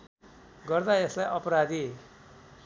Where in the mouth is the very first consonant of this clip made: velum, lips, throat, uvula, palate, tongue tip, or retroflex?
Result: velum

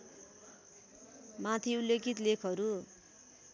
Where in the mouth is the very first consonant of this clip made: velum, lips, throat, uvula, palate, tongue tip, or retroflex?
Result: lips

